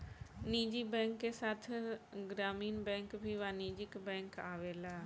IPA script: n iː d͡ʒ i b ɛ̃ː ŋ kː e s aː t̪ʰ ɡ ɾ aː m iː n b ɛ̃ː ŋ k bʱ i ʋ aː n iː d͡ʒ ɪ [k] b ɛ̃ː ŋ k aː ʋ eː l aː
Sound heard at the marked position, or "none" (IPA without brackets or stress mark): k